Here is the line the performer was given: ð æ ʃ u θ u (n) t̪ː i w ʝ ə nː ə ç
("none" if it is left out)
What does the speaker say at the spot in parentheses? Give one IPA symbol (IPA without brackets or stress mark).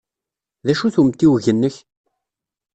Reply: m